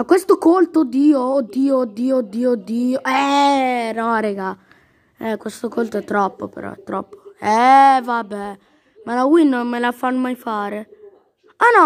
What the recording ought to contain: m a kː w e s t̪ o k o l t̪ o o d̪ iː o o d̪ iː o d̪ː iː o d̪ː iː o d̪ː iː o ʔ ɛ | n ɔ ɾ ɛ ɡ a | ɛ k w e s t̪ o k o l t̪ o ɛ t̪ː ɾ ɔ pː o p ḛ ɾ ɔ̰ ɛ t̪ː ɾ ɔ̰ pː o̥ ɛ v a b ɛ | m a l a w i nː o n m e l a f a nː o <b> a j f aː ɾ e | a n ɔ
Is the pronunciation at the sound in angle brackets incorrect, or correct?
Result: incorrect